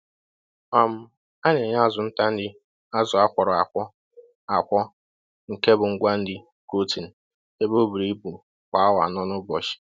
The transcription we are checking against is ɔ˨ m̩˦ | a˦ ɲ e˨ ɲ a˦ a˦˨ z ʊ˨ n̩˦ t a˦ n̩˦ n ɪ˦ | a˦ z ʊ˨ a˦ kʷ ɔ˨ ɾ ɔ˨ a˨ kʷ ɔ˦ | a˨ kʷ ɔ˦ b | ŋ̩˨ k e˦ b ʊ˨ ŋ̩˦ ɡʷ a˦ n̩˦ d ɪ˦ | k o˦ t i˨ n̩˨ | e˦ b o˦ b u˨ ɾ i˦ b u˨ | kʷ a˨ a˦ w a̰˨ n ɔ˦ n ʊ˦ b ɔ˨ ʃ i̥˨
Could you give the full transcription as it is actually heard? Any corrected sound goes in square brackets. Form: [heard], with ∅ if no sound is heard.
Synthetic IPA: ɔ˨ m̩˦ | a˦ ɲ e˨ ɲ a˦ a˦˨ z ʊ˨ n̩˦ t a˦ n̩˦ [d] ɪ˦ | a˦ z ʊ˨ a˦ kʷ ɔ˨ ɾ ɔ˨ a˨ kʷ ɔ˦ | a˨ kʷ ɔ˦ [∅] | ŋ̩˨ k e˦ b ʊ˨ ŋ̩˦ ɡʷ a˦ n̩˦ d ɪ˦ | k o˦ t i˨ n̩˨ | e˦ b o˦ b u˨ ɾ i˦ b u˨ | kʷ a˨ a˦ w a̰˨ n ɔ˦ n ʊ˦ b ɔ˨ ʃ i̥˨